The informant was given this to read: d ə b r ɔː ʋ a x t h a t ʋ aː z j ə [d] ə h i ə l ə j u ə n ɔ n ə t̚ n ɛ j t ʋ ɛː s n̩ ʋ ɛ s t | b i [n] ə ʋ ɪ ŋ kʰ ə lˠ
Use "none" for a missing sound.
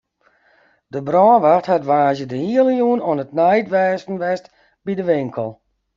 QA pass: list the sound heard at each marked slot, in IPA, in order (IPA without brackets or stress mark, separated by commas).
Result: d, d